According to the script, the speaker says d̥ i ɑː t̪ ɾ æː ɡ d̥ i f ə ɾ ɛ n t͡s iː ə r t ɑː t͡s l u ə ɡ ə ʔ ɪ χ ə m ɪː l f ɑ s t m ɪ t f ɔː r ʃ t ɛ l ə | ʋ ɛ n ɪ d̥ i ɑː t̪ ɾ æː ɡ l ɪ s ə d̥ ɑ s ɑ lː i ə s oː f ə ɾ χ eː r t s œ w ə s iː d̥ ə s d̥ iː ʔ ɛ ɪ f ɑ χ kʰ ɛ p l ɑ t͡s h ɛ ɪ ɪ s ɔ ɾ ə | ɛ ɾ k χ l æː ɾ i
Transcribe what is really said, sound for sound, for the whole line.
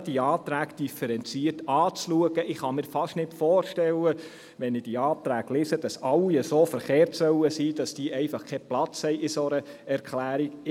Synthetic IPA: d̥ i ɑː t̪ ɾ æː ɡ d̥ i f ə ɾ ɛ n t͡s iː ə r t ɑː t͡s l u ə ɡ ə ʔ ɪ χ ɑ m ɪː ɾ f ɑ ʃ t n ɪ t f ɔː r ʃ t ɛ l ə | ʋ ɛ n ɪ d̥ i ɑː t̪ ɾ æː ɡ l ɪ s ə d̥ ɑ s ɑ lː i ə s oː f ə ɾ χ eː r t s œ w ə s iː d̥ ɑ s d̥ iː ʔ ɛ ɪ f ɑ χ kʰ ɛ p l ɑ t͡s h ɛ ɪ ɪ s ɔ ɾ ə | ɛ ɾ k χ l æː ɾ i